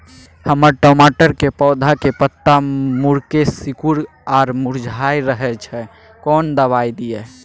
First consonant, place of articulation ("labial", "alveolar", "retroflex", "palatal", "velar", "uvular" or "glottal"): glottal